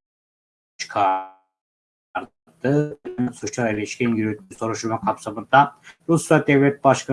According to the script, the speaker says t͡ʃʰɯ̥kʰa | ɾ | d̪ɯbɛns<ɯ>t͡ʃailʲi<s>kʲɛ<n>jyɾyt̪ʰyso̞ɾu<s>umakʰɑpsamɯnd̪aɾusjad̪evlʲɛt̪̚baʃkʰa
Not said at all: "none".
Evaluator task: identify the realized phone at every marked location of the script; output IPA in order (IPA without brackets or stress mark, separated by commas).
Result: u, ʃ, n, ʃ